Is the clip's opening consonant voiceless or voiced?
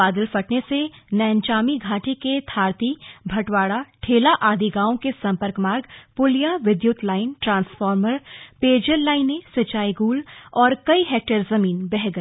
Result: voiced